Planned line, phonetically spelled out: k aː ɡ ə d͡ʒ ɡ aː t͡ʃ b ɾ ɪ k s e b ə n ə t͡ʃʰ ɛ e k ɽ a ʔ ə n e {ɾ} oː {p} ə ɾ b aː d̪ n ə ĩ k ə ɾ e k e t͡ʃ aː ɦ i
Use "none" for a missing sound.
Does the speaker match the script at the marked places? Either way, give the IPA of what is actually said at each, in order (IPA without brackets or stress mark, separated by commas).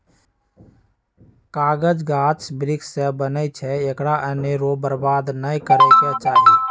ɾ, b